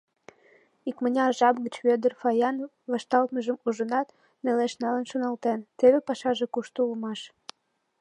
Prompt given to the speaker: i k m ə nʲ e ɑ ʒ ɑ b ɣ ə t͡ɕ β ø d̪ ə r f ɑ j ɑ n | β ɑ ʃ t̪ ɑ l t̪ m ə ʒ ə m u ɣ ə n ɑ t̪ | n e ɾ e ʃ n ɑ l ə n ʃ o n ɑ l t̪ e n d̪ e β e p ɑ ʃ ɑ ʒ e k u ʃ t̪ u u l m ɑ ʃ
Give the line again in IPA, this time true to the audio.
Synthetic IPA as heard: i k m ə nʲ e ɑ ʒ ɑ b ɣ ə t͡ɕ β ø d̪ ə r f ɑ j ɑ n | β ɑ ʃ t̪ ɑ l t̪ m ə ʒ ə m u ʒ ə n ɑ t̪ | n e l e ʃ n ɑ l ə n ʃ o n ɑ l t̪ e n t̪ e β e p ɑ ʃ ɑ ʒ e k u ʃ t̪ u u l m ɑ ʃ